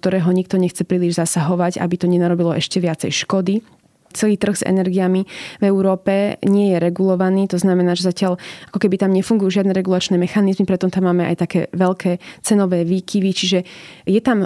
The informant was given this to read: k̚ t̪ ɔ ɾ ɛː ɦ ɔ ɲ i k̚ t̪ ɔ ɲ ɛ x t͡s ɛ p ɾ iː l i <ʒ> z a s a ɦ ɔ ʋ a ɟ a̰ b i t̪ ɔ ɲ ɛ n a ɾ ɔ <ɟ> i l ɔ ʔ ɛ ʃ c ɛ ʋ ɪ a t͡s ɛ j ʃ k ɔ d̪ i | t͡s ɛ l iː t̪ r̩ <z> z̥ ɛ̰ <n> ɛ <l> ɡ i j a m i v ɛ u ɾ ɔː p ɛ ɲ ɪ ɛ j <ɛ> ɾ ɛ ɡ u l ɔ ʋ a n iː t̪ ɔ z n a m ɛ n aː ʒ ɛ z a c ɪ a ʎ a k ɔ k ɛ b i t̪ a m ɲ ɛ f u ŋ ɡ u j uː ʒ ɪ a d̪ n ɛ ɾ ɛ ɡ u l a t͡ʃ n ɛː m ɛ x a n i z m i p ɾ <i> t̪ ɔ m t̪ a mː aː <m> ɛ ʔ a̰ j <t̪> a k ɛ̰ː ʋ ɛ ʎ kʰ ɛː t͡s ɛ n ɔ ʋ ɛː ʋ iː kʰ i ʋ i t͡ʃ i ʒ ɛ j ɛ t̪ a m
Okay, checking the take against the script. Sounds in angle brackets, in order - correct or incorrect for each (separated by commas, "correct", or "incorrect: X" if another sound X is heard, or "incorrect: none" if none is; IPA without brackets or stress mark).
correct, incorrect: b, incorrect: ɣ, correct, incorrect: ɾ, correct, incorrect: ɛ, correct, correct